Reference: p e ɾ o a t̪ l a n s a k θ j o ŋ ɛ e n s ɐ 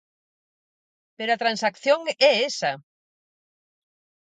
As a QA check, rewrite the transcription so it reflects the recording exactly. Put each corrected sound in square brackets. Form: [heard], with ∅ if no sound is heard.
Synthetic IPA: p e ɾ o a t̪ [ɾ] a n s a k θ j o ŋ ɛ e [∅] s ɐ